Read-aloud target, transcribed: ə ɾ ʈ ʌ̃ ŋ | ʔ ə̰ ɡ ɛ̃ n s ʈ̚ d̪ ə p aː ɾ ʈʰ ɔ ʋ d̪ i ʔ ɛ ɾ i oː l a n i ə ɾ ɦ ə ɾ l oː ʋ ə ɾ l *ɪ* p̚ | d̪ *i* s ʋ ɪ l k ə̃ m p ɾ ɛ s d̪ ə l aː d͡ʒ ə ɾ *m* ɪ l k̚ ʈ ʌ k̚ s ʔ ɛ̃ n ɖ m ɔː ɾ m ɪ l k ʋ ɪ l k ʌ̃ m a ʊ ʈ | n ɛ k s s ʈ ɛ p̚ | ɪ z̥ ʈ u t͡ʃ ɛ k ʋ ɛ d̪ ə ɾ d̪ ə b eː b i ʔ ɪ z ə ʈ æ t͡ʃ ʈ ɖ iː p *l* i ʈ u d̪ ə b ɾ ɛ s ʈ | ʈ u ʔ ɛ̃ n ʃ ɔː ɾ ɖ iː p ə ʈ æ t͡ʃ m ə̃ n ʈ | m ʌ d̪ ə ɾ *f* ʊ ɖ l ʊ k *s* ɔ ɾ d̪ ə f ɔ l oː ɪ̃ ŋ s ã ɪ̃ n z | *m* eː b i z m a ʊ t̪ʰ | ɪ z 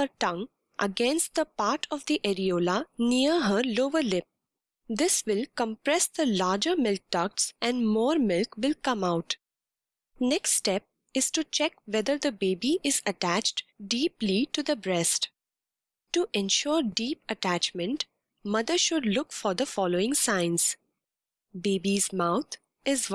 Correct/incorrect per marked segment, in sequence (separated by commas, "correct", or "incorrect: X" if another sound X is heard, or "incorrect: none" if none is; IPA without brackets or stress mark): correct, incorrect: ɪ, correct, correct, incorrect: ʃ, incorrect: f, incorrect: b